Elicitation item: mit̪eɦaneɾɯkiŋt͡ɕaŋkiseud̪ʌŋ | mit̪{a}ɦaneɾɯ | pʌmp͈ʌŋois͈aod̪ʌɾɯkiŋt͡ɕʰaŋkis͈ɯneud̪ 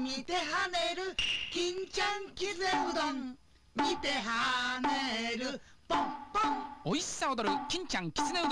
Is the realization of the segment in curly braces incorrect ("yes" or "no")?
yes